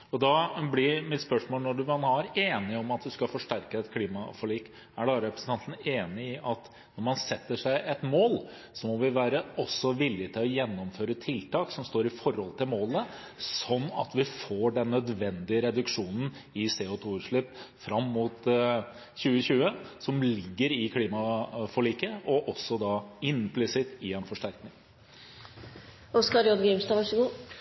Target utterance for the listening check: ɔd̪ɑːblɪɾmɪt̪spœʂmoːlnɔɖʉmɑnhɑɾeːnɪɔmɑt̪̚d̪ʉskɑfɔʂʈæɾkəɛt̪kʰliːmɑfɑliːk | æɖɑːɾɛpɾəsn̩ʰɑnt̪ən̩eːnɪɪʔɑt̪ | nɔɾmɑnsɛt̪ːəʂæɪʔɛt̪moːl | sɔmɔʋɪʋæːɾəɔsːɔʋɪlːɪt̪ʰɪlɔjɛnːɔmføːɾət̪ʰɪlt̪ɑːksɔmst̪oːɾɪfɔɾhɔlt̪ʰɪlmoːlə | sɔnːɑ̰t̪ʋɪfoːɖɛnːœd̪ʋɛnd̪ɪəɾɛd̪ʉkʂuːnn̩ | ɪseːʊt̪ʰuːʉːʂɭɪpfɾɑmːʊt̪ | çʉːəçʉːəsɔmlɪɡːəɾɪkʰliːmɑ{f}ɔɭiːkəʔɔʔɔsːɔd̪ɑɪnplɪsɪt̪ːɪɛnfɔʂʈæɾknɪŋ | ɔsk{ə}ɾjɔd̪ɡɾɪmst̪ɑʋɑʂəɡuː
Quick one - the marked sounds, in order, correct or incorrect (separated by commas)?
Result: correct, incorrect